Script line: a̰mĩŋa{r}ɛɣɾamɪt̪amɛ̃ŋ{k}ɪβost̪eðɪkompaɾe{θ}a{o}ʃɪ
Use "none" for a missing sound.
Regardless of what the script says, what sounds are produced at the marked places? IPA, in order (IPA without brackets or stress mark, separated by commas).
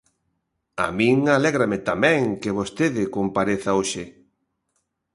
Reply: l, k, θ, o